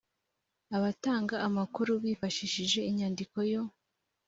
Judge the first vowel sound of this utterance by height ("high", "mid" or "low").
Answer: low